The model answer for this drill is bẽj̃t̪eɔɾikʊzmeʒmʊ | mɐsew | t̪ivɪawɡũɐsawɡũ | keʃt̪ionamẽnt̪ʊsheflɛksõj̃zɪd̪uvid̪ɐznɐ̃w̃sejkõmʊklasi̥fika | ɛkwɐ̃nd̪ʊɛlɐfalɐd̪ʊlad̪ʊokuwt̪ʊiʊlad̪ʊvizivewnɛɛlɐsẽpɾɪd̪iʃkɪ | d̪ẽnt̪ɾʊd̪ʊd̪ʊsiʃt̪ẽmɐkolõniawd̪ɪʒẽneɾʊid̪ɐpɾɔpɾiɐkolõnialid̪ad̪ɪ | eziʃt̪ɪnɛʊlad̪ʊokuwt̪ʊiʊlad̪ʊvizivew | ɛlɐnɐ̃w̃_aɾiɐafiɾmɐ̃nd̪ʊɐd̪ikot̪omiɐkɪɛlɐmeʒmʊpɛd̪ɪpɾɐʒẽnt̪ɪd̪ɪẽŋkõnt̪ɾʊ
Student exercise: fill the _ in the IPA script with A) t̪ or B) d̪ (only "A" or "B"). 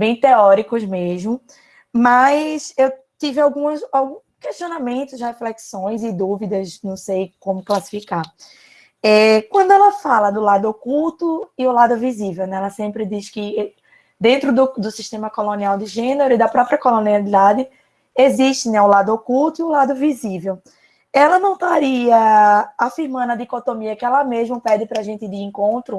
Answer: A